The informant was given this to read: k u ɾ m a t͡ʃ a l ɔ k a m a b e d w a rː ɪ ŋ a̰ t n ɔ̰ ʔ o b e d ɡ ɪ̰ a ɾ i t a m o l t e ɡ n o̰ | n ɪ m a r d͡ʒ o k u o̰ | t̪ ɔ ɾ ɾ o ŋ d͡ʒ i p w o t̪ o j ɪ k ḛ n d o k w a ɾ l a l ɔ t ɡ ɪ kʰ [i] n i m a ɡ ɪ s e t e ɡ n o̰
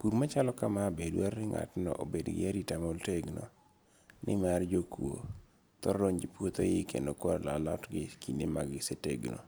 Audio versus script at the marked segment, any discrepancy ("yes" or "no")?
no